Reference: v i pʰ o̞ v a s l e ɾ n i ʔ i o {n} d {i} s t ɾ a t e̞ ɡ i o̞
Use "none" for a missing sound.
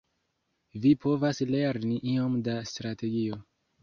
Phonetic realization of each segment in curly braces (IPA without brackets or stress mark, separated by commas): m, a